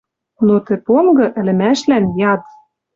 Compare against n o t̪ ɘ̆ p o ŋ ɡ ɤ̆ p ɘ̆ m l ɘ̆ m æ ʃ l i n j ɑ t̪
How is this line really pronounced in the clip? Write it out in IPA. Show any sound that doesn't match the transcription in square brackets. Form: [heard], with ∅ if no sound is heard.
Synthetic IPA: n o t̪ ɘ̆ p o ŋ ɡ ɤ̆ [ʔ] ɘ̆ [∅] l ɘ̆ m æ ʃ l [æ] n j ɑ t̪